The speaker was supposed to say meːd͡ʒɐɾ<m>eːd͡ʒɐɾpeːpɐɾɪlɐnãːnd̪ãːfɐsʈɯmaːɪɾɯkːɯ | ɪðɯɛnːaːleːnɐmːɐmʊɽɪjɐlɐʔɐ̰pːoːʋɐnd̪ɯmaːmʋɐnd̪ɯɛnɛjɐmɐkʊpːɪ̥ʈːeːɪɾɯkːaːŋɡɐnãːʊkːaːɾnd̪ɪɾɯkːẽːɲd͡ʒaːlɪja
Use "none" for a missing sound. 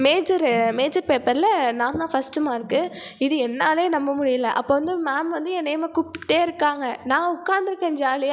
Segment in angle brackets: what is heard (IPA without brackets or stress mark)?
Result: m